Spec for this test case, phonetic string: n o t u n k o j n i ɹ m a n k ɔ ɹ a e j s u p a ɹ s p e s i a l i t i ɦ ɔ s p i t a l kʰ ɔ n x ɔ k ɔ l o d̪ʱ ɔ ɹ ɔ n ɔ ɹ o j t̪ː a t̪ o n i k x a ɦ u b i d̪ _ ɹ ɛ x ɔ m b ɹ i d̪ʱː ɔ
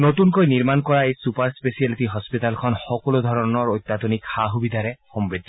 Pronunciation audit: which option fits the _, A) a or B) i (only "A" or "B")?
A